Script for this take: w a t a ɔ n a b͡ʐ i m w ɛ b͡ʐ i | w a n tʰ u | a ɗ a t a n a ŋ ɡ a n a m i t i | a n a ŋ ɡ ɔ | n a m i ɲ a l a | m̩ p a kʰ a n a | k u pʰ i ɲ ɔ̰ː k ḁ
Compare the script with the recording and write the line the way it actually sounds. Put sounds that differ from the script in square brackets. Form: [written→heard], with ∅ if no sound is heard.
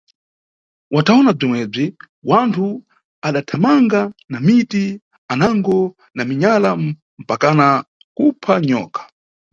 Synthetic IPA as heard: w a t a ɔ n a b͡ʐ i m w ɛ b͡ʐ i | w a n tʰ u | a ɗ a [t→tʰ] a [n→m] a ŋ ɡ a n a m i t i | a n a ŋ ɡ ɔ | n a m i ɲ a l a | m̩ p a [kʰ→k] a n a | k u pʰ [i→a] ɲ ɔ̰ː k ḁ